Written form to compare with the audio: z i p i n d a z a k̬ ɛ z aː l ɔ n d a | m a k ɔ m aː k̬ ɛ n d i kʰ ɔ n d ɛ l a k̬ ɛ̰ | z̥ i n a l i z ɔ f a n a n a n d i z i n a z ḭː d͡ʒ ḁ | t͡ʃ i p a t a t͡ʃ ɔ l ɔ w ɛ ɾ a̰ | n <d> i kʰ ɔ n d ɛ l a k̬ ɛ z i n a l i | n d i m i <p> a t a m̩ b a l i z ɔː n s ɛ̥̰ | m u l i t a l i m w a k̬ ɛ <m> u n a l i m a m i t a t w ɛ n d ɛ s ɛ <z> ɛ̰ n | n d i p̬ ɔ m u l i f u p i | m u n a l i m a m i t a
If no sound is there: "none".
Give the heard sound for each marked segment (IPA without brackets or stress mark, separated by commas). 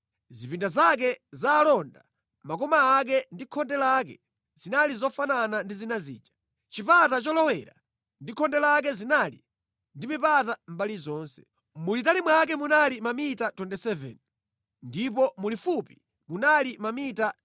d, p, m, v